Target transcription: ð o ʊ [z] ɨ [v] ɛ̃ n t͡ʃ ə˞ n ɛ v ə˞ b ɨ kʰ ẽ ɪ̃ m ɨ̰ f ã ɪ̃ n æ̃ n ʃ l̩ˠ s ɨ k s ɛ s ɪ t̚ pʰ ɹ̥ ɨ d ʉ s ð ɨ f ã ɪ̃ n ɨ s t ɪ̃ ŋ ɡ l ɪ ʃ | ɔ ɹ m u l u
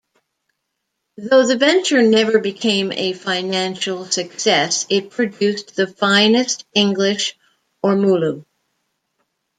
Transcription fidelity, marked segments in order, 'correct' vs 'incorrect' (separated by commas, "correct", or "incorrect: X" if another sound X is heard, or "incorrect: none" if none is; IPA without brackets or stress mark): incorrect: ð, correct